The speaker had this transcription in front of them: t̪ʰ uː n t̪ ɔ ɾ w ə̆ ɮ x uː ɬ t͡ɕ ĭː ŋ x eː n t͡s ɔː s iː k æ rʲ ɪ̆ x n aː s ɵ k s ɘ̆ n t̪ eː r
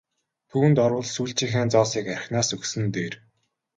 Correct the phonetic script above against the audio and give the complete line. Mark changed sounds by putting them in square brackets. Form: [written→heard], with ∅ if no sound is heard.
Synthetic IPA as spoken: t̪ʰ uː n t̪ ɔ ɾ w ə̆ ɮ [x→s] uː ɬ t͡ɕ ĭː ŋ x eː n t͡s ɔː s iː k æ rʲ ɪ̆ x n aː s ɵ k s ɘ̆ n t̪ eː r